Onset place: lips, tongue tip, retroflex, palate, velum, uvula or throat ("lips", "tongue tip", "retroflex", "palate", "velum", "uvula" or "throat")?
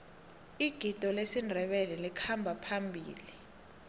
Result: velum